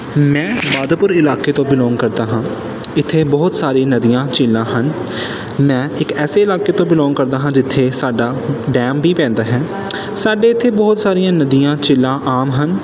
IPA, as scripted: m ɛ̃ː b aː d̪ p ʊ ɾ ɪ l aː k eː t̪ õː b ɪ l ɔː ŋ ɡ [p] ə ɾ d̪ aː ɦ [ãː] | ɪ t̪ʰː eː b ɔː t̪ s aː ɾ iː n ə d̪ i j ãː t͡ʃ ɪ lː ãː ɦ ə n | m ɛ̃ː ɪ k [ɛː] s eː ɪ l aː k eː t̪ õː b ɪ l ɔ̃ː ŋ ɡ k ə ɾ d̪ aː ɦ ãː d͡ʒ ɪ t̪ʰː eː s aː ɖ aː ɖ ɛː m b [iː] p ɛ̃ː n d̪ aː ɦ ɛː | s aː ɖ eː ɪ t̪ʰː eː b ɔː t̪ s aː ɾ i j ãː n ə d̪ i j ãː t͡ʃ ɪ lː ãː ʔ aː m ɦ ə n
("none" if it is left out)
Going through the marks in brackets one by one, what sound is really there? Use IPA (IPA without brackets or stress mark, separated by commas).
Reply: k, ãː, ɛː, iː